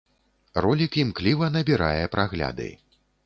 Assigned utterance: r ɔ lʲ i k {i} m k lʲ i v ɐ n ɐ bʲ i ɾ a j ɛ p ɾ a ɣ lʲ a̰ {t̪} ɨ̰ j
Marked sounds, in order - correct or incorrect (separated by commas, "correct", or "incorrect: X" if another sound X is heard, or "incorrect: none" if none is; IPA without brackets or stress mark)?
correct, incorrect: d̪